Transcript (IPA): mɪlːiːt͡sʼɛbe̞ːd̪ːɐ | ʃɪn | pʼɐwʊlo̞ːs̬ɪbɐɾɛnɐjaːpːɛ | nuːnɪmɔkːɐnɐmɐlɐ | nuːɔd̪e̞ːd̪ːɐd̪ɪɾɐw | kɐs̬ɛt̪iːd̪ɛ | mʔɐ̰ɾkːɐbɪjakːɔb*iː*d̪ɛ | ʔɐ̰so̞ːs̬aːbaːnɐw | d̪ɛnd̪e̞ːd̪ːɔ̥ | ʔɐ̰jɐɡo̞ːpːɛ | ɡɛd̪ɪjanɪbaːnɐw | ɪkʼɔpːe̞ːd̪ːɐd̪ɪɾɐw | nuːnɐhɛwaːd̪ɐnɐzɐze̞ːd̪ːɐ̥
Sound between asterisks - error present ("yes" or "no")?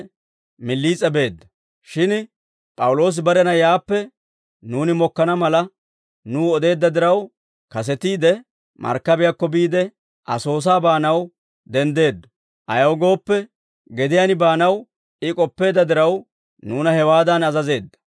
no